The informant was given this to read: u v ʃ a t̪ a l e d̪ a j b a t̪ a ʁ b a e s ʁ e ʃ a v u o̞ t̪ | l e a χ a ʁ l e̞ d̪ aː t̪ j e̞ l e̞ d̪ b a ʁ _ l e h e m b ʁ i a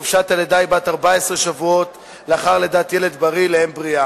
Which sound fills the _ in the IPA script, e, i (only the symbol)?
i